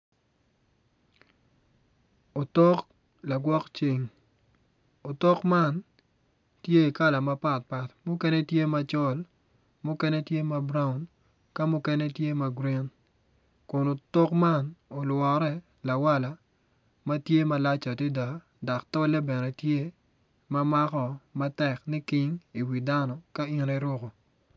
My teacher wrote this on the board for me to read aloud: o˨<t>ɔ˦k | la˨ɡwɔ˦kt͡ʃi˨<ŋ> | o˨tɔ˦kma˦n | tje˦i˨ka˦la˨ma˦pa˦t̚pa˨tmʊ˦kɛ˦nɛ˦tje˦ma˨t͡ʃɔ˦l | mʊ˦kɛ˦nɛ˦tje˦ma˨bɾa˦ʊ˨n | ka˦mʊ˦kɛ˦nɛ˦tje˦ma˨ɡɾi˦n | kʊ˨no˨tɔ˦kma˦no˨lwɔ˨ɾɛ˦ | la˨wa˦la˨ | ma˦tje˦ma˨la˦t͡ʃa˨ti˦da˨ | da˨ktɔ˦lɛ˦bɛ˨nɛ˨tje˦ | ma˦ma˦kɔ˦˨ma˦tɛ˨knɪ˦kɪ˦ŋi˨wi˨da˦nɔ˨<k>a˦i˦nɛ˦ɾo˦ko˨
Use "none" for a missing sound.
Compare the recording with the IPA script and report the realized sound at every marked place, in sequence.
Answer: t, ŋ, k

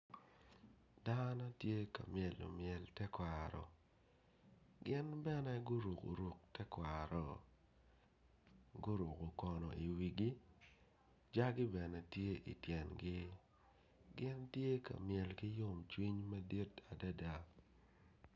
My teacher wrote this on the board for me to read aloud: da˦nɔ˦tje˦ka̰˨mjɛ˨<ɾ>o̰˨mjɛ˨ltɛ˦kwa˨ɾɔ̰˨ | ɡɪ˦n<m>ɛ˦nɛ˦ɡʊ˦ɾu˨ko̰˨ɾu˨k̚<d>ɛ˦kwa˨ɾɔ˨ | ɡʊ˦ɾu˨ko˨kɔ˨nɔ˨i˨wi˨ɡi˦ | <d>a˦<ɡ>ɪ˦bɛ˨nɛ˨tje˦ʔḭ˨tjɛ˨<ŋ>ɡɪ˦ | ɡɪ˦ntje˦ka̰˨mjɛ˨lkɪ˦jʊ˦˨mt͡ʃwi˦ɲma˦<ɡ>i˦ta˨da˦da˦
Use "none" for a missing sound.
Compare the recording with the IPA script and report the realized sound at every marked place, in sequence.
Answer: l, b, t, d͡ʒ, ɡ, n, d

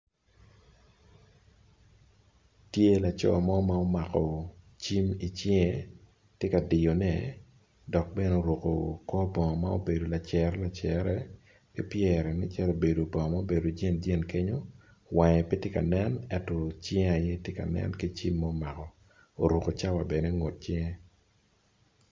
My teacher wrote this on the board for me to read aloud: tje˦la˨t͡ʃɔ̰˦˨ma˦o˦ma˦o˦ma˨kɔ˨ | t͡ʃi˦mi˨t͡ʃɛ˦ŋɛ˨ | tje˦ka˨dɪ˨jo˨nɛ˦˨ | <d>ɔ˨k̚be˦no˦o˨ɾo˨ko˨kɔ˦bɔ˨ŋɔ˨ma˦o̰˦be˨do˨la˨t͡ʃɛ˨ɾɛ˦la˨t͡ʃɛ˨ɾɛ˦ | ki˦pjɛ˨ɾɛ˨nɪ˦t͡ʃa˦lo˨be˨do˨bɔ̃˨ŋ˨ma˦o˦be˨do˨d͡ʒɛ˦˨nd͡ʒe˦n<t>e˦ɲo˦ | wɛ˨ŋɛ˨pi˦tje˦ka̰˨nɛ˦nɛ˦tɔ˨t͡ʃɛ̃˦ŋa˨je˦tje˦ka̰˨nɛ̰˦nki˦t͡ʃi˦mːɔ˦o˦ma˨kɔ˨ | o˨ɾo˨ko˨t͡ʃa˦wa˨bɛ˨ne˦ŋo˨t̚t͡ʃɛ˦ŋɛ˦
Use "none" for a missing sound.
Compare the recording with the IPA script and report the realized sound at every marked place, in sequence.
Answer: d, k

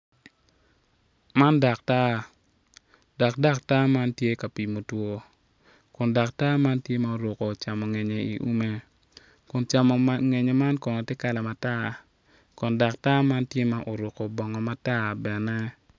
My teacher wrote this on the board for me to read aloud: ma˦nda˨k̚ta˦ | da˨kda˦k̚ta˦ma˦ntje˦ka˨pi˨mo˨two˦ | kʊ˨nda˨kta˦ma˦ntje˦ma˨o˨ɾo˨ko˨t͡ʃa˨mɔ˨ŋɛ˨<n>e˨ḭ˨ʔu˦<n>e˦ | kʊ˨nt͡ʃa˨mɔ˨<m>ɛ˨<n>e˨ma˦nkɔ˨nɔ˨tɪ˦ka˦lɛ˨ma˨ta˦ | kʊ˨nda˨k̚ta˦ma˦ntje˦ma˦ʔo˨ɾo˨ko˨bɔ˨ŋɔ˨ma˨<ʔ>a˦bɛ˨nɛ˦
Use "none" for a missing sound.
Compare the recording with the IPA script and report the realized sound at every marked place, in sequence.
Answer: ɲ, m, ŋ, ɲ, t

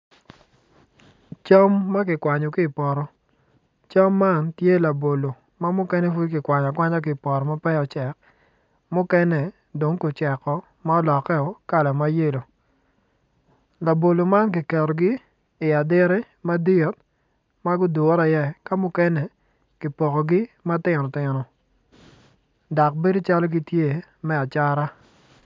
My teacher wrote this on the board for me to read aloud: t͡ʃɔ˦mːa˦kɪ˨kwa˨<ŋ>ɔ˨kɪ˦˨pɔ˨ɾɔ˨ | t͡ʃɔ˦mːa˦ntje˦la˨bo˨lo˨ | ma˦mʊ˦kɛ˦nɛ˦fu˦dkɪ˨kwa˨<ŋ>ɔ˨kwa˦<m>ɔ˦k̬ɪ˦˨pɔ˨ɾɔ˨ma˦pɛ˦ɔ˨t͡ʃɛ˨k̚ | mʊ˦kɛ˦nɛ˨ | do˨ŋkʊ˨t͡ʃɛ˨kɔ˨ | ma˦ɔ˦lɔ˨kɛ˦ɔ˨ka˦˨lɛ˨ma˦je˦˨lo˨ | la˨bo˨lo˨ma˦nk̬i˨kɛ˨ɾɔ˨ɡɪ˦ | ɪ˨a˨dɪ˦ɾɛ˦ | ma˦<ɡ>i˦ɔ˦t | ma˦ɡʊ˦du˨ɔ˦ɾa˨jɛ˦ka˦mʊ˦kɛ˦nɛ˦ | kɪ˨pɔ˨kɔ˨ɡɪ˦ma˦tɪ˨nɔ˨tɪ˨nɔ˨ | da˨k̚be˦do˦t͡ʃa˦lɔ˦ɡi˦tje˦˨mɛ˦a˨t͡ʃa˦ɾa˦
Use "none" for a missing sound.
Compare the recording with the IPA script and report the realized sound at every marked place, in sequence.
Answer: ɲ, ɲ, ɲ, d

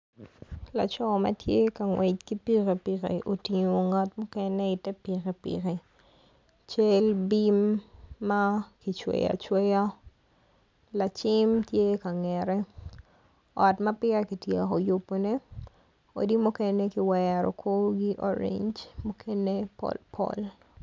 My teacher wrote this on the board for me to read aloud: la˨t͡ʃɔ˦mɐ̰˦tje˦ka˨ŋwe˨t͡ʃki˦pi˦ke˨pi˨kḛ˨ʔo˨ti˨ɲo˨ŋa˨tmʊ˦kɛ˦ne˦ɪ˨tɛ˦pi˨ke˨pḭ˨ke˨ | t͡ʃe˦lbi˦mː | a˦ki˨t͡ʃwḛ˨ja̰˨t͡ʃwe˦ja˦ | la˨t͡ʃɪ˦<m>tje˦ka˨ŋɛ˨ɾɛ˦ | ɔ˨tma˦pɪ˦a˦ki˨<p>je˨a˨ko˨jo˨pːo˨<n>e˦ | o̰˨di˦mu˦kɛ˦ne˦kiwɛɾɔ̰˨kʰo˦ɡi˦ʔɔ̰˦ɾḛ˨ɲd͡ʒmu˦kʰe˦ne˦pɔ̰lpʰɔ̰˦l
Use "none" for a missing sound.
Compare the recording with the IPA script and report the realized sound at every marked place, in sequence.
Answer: m, t, n

